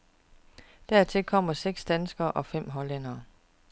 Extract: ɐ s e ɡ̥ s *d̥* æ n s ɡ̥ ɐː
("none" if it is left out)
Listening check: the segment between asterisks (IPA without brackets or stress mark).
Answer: d̥